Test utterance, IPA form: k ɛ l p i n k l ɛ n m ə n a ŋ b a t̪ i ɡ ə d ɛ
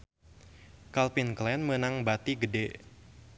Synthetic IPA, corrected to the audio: k a l p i n k l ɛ n m ə n a ŋ b a t̪ i ɡ ə d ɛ